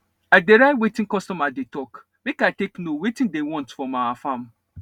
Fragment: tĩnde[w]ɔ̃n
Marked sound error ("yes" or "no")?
no